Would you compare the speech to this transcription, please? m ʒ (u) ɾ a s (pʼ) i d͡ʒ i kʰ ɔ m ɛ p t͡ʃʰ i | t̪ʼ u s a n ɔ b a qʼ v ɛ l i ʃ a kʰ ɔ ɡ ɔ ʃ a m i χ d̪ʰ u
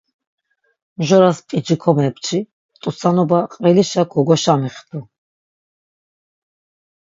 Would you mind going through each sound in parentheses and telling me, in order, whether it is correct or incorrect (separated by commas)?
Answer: incorrect, correct